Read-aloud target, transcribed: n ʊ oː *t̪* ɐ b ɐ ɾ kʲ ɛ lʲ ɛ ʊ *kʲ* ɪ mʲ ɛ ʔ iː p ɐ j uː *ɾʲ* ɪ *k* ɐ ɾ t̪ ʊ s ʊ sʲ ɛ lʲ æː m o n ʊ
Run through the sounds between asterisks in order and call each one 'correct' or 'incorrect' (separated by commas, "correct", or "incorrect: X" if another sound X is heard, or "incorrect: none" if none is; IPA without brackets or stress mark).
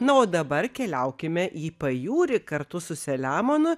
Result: incorrect: d̪, correct, correct, correct